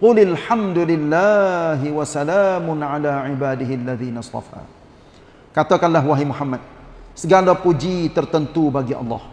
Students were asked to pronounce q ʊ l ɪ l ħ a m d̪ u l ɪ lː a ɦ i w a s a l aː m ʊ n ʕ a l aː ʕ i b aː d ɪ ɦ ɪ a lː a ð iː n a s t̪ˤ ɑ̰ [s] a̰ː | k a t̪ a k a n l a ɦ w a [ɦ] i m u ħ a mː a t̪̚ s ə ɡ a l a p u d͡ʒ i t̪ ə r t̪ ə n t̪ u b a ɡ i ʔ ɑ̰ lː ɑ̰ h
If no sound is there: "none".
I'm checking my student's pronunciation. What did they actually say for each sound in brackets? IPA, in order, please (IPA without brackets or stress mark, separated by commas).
f, ɦ